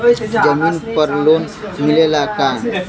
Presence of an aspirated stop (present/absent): absent